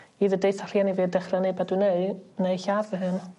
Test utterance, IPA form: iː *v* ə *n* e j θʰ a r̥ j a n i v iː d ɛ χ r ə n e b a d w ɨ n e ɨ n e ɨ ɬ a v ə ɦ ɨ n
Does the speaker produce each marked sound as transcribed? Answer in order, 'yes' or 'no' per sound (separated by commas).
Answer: no, no